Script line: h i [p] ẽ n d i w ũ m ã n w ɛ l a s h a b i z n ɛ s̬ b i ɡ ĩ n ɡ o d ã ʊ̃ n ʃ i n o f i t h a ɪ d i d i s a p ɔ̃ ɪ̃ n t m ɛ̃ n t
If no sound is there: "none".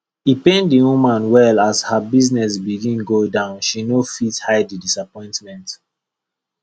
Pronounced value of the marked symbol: p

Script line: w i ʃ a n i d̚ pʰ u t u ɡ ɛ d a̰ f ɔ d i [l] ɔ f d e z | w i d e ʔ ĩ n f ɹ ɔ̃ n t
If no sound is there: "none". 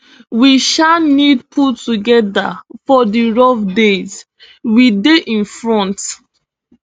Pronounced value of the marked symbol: ɹ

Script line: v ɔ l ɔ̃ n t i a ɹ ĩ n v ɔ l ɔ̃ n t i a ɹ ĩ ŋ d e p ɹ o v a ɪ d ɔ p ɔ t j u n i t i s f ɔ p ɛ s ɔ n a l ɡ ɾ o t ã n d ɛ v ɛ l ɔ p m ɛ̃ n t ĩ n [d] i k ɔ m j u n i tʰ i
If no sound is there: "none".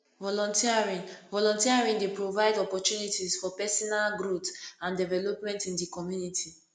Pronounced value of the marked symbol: d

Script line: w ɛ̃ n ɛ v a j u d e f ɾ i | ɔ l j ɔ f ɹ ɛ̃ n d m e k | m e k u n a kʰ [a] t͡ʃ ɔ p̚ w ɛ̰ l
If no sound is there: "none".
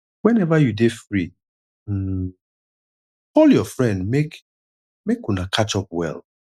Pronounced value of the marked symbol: a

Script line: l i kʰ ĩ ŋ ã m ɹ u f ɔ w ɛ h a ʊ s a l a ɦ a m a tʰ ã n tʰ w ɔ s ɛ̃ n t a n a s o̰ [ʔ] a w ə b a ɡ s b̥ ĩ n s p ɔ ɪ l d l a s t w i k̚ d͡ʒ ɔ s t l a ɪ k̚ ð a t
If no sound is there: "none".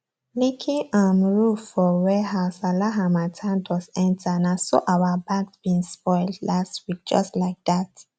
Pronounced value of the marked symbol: ʔ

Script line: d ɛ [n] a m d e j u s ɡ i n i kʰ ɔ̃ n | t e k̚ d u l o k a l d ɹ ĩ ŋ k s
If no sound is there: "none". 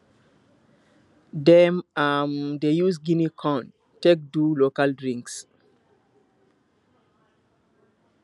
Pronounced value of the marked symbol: m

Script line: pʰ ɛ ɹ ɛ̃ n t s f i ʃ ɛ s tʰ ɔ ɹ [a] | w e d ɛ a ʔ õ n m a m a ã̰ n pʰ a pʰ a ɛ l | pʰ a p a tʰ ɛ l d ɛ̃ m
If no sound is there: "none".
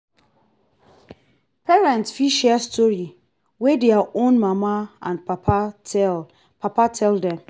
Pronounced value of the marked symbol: i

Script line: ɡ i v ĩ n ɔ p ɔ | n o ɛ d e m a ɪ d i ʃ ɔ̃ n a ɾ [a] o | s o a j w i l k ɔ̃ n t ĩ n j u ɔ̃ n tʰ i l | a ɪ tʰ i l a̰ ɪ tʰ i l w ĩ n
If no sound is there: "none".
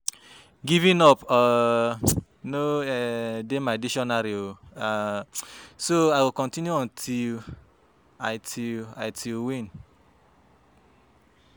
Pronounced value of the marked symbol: i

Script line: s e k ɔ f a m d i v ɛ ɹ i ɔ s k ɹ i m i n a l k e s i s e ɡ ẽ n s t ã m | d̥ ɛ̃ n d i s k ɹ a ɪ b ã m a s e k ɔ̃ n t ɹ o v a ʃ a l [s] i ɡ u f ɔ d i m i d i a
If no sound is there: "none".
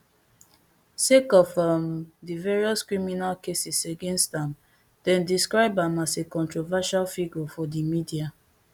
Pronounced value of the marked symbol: f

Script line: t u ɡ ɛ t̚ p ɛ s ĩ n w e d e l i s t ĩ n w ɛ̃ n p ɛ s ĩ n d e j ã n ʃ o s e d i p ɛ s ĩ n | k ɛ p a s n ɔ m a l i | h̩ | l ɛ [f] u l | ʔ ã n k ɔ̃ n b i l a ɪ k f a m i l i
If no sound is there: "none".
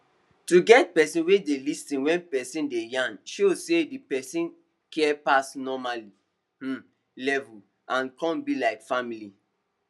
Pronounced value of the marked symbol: v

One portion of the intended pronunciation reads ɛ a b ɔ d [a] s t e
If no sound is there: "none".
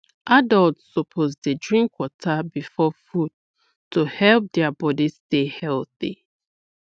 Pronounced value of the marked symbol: i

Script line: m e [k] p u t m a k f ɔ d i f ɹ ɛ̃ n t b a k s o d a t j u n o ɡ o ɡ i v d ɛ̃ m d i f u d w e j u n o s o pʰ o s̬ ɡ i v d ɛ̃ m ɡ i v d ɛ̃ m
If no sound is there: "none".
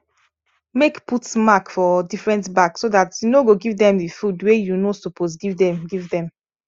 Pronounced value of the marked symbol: k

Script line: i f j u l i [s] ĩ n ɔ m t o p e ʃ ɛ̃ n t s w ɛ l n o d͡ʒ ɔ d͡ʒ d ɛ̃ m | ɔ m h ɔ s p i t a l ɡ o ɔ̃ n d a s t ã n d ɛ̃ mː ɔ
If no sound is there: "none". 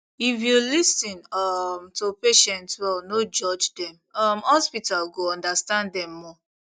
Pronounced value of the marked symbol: s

